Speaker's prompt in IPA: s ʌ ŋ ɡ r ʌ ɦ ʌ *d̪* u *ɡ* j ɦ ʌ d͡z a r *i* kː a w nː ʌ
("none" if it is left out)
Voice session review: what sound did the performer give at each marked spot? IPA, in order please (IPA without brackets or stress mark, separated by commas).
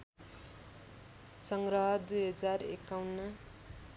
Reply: d̪, none, e